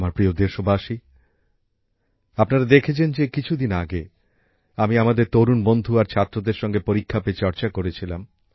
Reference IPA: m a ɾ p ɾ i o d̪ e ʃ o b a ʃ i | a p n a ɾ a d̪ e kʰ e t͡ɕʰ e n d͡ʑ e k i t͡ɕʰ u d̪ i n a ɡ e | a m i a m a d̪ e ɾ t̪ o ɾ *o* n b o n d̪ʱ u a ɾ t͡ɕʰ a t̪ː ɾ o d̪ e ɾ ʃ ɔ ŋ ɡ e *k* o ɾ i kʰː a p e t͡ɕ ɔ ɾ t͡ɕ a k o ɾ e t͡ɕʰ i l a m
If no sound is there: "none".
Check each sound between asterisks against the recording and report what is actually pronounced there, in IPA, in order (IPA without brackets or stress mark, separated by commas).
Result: u, p